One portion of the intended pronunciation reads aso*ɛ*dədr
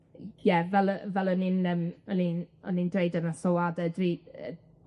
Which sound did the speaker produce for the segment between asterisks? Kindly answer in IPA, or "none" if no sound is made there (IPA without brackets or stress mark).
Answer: a